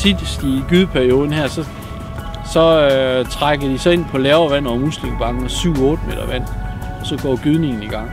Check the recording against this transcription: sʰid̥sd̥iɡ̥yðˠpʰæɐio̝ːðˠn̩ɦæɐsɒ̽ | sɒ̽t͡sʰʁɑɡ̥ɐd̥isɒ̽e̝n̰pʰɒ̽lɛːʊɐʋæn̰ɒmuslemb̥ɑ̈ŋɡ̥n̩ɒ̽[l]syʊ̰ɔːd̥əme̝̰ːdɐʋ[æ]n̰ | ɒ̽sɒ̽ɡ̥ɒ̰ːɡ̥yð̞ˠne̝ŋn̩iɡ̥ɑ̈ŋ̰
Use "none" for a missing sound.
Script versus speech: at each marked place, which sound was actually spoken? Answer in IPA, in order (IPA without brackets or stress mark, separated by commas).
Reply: none, æ